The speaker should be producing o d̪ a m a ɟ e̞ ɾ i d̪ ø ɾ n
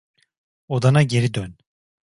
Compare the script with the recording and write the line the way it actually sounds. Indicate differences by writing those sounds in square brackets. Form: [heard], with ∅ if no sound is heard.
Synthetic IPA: o d̪ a [n] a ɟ e̞ ɾ i d̪ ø [∅] n